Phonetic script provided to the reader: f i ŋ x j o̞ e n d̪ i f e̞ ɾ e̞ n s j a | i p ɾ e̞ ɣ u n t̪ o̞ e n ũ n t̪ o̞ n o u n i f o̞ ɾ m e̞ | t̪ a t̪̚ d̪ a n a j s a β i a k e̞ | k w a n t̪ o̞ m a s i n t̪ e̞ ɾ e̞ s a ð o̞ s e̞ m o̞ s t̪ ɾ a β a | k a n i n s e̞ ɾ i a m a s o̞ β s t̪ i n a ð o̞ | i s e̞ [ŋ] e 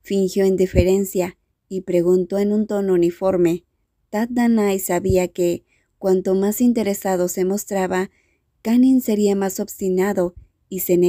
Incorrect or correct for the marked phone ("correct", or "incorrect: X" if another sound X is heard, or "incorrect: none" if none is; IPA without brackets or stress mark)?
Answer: incorrect: n